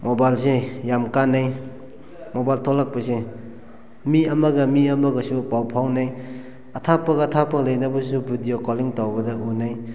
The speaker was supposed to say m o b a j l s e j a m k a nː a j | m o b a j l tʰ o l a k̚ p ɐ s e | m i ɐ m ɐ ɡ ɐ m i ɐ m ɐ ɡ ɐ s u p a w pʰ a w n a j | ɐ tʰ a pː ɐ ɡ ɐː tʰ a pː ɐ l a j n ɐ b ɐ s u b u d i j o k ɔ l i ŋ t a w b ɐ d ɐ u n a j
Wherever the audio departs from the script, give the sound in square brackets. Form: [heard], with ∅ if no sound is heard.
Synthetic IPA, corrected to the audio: m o b a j l s e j a m k a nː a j | m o b a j l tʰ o l a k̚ p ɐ s e | m i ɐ m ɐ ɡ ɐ m i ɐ m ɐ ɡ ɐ s u p a w pʰ a w n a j | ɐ tʰ a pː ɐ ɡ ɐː tʰ a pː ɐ l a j n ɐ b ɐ s u b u d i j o k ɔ l i ŋ t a w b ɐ d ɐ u n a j